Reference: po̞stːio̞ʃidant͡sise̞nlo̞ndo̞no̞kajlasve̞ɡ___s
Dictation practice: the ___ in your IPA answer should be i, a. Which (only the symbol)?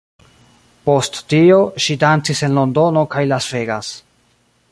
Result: a